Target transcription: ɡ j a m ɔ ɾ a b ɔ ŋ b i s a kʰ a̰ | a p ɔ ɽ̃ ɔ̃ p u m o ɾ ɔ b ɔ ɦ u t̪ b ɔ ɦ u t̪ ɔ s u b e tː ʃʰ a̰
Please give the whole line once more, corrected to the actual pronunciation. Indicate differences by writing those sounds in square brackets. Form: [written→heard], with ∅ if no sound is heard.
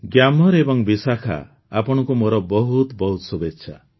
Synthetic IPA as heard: ɡ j a m ɔ ɾ [a→e] b ɔ ŋ b i s a kʰ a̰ | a p ɔ ɽ̃ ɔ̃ [p→k] u m o ɾ ɔ b ɔ ɦ u t̪ b ɔ ɦ u t̪ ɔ s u b e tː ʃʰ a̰

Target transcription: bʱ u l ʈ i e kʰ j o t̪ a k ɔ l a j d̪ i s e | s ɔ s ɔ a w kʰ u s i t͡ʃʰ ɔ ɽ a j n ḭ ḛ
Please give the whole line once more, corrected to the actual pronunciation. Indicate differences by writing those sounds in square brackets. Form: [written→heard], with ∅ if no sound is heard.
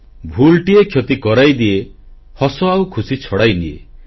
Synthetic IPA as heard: bʱ u l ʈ i e kʰ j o t̪ [a→i] k ɔ [l→ɾ] a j d̪ i [s→∅] e | [s→h] ɔ s ɔ a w kʰ u s i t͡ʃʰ ɔ ɽ a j n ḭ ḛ

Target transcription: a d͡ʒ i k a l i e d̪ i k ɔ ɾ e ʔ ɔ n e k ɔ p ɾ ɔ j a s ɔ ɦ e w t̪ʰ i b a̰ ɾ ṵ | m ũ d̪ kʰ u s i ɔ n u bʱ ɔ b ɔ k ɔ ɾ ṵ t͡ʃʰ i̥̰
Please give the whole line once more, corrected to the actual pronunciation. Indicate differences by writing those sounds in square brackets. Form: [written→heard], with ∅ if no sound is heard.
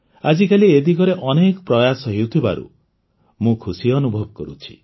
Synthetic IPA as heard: a d͡ʒ i k a l i e d̪ i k ɔ ɾ e ʔ ɔ n e k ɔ p ɾ ɔ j a s ɔ ɦ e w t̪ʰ i b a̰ ɾ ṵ | m ũ [d̪→∅] kʰ u s i ɔ n u bʱ ɔ b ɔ k ɔ ɾ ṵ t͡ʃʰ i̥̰

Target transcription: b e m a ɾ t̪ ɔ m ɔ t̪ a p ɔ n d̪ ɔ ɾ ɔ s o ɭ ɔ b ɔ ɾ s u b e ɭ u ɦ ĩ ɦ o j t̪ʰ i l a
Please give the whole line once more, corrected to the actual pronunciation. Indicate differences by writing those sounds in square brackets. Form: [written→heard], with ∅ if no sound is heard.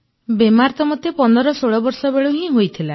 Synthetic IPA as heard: b e m a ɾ t̪ ɔ m ɔ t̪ [a→e] p ɔ n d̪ ɔ ɾ ɔ s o ɭ ɔ b ɔ ɾ s [u→ɔ] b e ɭ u ɦ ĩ ɦ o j t̪ʰ i l a

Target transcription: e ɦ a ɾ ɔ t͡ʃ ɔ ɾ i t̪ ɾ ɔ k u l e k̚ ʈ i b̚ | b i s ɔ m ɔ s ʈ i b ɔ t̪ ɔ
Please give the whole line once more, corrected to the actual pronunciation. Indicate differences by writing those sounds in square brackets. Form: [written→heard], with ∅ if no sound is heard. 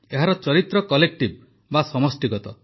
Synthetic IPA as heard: e ɦ a ɾ ɔ t͡ʃ ɔ ɾ i t̪ ɾ ɔ k [u→ɔ] l e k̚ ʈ i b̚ | b [i→a] s ɔ m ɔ s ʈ i [b→ɡ] ɔ t̪ ɔ

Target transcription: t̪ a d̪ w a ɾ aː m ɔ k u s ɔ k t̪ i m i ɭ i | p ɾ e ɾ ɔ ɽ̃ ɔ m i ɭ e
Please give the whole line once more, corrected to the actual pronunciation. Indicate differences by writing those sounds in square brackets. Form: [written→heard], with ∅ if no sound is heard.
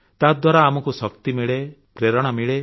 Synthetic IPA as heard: t̪ a d̪ w a ɾ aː m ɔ k u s ɔ k t̪ i m i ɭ [i→e] | p ɾ e ɾ ɔ ɽ̃ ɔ m i ɭ e

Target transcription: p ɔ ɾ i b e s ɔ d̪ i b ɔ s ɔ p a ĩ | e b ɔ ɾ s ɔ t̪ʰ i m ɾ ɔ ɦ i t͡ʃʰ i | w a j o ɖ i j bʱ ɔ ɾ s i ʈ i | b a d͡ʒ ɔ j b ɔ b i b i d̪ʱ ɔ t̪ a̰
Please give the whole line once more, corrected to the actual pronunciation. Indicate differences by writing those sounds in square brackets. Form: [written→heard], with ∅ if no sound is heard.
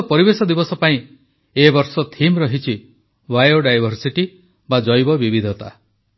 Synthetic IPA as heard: p ɔ ɾ i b e s ɔ d̪ i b ɔ s ɔ p a ĩ | e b ɔ ɾ s ɔ t̪ʰ i m ɾ ɔ ɦ i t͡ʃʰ i | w a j o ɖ [i→a] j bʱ ɔ ɾ s i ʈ i | b a d͡ʒ ɔ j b ɔ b i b i d̪ʱ ɔ t̪ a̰

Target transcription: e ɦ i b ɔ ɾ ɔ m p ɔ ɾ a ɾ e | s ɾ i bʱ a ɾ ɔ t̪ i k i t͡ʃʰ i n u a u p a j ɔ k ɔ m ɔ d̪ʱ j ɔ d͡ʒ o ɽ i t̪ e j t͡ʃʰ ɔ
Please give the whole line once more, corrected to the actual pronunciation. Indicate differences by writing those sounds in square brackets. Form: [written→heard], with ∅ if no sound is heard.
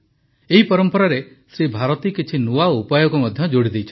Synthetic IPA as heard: e ɦ i [b→p] ɔ ɾ ɔ m p ɔ ɾ a ɾ e | s ɾ i bʱ a ɾ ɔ t̪ i k i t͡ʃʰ i n u a u p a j ɔ k [ɔ→u] m ɔ d̪ʱ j ɔ d͡ʒ o ɽ i [t̪→d̪] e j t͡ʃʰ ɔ

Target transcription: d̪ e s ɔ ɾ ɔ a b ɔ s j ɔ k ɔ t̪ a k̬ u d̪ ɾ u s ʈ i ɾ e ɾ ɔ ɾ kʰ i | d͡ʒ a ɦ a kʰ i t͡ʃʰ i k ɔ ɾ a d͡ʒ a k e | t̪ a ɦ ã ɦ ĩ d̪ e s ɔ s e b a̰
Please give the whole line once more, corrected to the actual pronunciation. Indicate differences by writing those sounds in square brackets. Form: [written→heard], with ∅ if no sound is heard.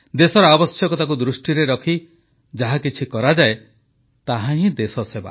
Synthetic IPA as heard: d̪ e s ɔ ɾ ɔ a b ɔ s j ɔ k ɔ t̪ a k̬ u d̪ ɾ u s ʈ i ɾ e ɾ ɔ [ɾ→∅] kʰ i | d͡ʒ a ɦ a [kʰ→k] i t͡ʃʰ i k ɔ ɾ a d͡ʒ a [k→∅] e | t̪ a ɦ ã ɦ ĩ d̪ e s ɔ s e b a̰

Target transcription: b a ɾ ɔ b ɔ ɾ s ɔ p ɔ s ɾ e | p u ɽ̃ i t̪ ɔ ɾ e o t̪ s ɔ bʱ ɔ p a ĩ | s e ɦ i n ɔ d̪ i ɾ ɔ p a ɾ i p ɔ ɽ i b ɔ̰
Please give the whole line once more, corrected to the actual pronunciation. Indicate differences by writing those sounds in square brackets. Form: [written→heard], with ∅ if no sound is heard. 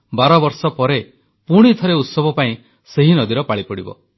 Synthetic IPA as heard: b a ɾ ɔ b ɔ ɾ s ɔ p ɔ [s→∅] ɾ e | p u ɽ̃ i [t̪→t̪ʰ] ɔ ɾ e [o→u] t̪ s ɔ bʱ ɔ p a ĩ | s e ɦ i n ɔ d̪ i ɾ ɔ p a [ɾ→ɭ] i p ɔ ɽ i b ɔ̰

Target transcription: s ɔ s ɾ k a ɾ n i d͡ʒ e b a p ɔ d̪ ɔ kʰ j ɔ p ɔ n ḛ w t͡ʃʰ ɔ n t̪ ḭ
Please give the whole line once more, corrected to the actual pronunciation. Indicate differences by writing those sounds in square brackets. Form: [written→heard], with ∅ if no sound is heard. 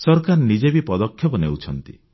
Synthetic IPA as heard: s ɔ [s→∅] ɾ k a ɾ n i d͡ʒ e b [a→i] p ɔ d̪ ɔ kʰ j ɔ p ɔ n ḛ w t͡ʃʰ ɔ n t̪ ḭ

